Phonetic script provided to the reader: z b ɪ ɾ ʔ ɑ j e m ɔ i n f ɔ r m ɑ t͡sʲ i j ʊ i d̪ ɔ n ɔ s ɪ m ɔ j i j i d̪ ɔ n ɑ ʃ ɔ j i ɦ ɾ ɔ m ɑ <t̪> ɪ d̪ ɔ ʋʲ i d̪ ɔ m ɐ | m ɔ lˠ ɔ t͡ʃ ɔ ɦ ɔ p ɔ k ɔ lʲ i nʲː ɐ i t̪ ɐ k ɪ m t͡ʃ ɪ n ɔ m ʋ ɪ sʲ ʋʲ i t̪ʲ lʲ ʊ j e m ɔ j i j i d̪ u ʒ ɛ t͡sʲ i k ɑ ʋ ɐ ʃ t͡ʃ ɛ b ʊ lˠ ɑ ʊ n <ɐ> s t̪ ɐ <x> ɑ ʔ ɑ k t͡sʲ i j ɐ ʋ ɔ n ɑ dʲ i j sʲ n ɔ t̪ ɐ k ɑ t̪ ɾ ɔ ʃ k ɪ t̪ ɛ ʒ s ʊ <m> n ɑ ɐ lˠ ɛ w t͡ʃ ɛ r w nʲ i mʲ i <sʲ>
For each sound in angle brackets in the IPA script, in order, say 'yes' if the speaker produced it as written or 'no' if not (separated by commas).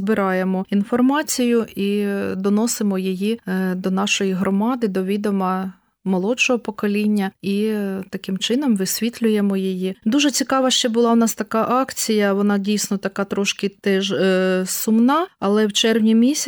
no, no, no, yes, yes